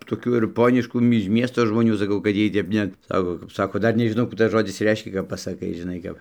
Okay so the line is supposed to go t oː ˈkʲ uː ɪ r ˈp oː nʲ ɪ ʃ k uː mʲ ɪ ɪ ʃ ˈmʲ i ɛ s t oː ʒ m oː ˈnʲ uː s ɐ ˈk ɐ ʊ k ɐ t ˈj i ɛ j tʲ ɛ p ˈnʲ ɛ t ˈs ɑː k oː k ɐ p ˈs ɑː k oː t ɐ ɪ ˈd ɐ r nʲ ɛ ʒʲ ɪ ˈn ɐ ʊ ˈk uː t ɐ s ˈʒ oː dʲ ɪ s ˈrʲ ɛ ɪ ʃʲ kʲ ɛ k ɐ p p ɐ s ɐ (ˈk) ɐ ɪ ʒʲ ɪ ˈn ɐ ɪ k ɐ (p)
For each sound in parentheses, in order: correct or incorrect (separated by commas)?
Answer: correct, correct